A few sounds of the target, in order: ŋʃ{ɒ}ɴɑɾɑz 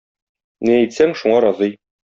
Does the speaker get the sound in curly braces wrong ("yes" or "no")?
yes